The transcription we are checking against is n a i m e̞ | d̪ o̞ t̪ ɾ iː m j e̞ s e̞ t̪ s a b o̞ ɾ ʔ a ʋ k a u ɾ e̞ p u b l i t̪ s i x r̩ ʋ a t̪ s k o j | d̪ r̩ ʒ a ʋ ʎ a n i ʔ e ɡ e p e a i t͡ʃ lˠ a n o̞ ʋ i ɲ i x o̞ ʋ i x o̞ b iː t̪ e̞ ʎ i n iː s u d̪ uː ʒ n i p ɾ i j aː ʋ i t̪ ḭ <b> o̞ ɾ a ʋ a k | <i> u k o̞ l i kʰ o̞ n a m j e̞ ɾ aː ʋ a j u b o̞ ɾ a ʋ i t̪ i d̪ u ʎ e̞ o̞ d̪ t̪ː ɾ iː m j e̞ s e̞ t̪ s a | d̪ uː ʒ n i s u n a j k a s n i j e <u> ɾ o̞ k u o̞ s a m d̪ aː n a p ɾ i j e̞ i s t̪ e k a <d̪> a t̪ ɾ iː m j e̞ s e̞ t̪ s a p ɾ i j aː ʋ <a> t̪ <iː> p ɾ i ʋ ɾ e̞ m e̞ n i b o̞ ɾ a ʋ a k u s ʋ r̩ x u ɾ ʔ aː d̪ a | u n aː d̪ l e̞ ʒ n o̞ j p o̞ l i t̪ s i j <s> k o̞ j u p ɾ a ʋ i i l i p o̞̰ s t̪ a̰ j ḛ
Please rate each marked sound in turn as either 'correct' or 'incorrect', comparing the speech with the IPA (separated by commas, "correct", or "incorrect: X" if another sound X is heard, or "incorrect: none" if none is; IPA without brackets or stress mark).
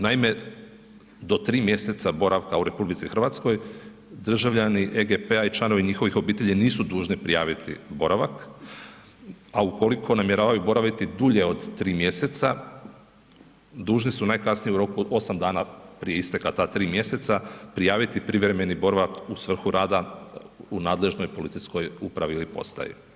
correct, incorrect: a, correct, incorrect: t̪, incorrect: i, incorrect: i, correct